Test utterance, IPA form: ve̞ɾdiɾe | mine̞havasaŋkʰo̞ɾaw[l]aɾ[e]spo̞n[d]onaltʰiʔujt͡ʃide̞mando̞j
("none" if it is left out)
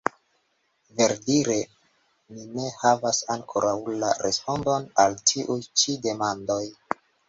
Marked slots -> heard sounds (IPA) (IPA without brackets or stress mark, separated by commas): l, e, d